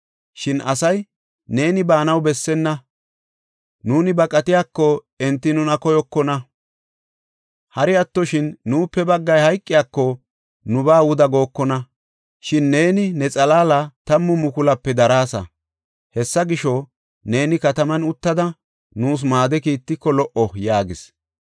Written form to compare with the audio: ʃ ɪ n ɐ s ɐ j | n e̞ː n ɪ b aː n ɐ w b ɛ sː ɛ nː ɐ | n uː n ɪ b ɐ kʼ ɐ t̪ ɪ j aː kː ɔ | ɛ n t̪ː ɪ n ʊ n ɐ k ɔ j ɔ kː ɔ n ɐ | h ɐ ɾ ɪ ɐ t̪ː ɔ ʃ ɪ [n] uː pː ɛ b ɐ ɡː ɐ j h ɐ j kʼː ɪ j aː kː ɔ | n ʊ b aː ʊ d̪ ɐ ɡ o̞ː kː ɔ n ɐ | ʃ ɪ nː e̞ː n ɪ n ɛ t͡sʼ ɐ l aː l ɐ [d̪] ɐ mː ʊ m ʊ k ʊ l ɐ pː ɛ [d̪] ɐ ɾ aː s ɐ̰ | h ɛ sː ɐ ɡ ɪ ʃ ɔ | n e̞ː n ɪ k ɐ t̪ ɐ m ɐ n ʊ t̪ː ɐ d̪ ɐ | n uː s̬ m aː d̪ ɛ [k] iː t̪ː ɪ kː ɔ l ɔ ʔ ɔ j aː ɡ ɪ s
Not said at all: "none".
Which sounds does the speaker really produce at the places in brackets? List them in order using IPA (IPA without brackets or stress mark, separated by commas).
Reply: nː, t̪, d̪, k